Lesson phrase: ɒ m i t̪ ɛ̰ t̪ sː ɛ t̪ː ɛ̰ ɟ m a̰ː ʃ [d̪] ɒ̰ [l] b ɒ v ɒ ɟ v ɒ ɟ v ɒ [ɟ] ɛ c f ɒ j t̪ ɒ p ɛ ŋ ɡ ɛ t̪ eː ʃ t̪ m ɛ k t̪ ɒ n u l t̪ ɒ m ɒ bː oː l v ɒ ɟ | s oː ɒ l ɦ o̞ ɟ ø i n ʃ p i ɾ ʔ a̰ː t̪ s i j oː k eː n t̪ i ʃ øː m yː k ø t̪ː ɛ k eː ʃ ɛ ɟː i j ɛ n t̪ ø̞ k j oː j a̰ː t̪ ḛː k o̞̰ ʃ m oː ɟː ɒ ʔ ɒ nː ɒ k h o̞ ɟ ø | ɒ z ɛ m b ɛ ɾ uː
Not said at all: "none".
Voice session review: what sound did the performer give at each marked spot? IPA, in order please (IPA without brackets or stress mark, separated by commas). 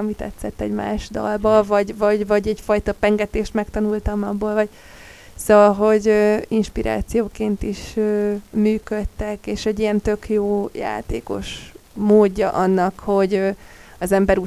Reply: d̪, l, ɟ